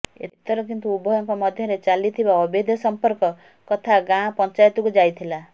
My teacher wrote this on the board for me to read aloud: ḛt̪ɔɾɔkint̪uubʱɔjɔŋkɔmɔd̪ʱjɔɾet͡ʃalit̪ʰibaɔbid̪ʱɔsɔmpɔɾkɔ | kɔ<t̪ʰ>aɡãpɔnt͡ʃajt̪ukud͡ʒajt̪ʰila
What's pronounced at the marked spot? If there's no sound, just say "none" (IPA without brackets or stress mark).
t̪ʰ